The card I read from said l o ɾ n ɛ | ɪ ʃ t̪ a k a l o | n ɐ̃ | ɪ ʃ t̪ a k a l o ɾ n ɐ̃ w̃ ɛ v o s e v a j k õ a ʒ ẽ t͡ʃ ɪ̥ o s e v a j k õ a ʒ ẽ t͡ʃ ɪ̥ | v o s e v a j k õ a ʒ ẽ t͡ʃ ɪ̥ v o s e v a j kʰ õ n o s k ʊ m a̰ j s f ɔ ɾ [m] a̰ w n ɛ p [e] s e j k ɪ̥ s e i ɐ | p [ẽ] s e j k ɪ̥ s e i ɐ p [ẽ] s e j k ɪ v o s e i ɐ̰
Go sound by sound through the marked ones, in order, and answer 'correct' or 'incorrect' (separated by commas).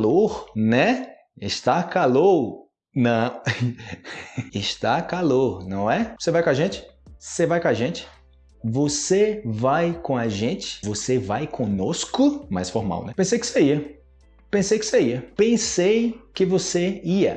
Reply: correct, incorrect, correct, correct